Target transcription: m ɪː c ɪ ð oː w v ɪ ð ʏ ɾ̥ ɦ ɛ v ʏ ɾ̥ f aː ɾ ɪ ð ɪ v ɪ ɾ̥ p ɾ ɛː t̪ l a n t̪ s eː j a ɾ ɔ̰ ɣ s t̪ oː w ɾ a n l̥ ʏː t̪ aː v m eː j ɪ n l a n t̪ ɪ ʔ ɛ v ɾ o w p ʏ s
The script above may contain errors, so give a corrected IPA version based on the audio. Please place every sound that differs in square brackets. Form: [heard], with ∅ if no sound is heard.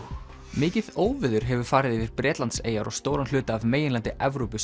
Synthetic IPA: m ɪː c ɪ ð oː w v ɪ ð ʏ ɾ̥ ɦ ɛ v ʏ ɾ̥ f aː ɾ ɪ ð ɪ v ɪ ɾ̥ p ɾ ɛː t̪ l a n t̪ s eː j a ɾ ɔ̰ ɣ s t̪ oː w ɾ a n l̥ ʏː t̪ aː v m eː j ɪ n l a n t̪ ɪ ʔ ɛ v ɾ o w p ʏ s